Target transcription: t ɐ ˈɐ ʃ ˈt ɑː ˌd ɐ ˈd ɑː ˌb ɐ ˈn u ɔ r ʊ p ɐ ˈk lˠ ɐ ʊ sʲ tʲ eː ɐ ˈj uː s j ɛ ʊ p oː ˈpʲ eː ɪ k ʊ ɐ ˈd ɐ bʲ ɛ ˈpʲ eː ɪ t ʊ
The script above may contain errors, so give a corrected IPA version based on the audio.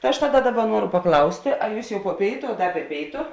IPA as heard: t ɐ ˈɐ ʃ ˈt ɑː ˌd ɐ ˈd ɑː ˌb ɐ ˈn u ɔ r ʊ p ɐ ˈk lˠ ɐ ʊ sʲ tʲ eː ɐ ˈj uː s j ɛ ʊ p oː ˈpʲ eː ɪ t ʊ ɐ ˈd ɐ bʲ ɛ ˈpʲ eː ɪ t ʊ